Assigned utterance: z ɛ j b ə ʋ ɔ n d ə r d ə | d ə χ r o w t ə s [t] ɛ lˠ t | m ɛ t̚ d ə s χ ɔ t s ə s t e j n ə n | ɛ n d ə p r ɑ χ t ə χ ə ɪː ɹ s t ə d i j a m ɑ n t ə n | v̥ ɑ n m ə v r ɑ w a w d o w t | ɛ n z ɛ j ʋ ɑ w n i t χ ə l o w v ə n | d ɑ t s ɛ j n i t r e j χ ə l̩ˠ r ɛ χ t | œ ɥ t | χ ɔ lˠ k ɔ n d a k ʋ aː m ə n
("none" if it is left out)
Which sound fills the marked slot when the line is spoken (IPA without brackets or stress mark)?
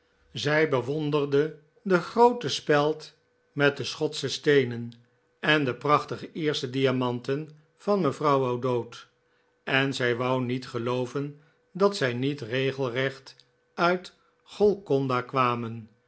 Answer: p